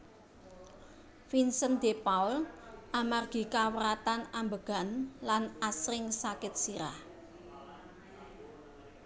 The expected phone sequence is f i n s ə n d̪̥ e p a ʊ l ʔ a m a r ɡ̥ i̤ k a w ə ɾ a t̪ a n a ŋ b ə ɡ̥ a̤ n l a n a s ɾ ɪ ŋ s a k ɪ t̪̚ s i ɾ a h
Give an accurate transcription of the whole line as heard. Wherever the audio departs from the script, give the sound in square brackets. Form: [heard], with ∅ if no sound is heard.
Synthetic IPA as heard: f i n s ə n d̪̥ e p a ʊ l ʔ a m a r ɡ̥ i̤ k a w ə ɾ a t̪ a n a [m] b ə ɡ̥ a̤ n l a n a s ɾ ɪ ŋ s a k ɪ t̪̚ s i ɾ a h

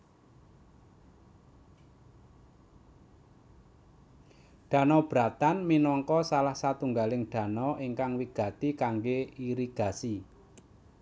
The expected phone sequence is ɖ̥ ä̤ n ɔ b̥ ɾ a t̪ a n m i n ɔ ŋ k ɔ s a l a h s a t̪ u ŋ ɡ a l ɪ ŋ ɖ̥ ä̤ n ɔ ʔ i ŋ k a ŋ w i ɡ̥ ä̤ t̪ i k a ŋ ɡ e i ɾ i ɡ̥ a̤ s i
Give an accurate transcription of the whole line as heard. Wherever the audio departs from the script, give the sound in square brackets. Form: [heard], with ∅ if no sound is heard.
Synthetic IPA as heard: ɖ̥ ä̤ n ɔ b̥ ɾ a t̪ a n m i n ɔ ŋ k ɔ s a l a h s a t̪ u ŋ ɡ a l ɪ ŋ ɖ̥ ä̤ n ɔ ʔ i ŋ k a ŋ w i ɡ̥ ä̤ t̪ i k a ŋ ɡ e i ɾ i ɡ̥ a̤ s i

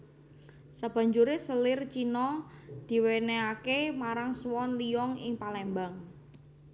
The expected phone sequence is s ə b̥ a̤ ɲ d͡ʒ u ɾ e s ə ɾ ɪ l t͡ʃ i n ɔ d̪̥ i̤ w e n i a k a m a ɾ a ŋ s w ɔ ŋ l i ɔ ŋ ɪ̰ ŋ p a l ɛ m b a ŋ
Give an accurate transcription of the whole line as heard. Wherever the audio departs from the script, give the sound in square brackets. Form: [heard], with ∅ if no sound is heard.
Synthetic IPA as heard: s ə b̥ a̤ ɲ d͡ʒ u ɾ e s ə [l] ɪ [r] t͡ʃ i n ɔ d̪̥ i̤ w e n [e] a k [e] m a ɾ a ŋ s w ɔ [n] l i ɔ ŋ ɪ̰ ŋ p a l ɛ m b a ŋ

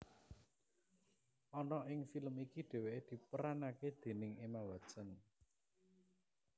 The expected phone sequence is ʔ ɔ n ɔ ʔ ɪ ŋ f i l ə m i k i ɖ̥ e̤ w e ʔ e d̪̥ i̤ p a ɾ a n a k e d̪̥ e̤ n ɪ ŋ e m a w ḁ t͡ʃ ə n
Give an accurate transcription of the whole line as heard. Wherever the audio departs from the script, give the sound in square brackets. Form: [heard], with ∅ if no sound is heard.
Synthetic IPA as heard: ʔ ɔ n ɔ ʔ ɪ ŋ f i l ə m i k i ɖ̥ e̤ w e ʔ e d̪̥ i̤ p [ə] ɾ a n a k e d̪̥ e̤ n ɪ ŋ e m a w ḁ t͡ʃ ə n

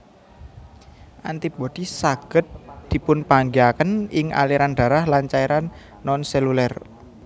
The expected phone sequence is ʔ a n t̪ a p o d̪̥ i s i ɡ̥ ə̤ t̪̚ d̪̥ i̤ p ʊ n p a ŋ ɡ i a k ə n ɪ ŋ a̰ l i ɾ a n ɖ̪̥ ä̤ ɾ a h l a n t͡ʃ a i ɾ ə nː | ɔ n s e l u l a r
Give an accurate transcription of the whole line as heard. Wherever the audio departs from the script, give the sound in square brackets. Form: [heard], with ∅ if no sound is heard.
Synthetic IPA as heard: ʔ a n t̪ [i] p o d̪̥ i s [a] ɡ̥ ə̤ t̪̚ d̪̥ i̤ p ʊ n p a ŋ ɡ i a k ə n ɪ ŋ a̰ l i ɾ a n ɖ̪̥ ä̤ ɾ a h l a n t͡ʃ a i ɾ [a] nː | ɔ n s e l u l [ɛ] r

